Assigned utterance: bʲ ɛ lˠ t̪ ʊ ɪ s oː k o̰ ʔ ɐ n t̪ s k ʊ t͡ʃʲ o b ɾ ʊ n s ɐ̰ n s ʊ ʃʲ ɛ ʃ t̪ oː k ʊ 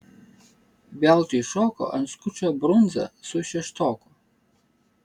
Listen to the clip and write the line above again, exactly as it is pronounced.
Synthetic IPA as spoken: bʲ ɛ lˠ t̪ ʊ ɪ ʃ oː k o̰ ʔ ɐ n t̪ s k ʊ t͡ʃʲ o b ɾ ʊ n z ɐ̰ s ʊ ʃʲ ɛ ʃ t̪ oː k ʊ